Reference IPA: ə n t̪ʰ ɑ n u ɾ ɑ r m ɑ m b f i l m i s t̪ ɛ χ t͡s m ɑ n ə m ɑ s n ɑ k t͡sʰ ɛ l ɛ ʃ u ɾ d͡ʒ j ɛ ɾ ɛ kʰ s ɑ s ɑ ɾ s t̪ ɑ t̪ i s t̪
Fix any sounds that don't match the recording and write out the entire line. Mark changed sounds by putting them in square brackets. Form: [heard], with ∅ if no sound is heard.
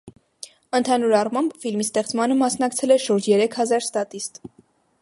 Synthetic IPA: ə n t̪ʰ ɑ n u ɾ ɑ r m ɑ m b f i l m i s t̪ ɛ χ t͡s m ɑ n ə m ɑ s n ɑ k t͡sʰ ɛ l ɛ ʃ u ɾ d͡ʒ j ɛ ɾ ɛ kʰ [h] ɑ [z] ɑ ɾ s t̪ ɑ t̪ i s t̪